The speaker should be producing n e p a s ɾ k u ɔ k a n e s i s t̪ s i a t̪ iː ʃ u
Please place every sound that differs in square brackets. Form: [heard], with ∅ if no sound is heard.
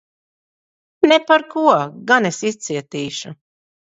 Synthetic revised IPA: n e p a [∅] ɾ k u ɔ [ɡ] a n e s i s t̪ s i [ɛ] t̪ iː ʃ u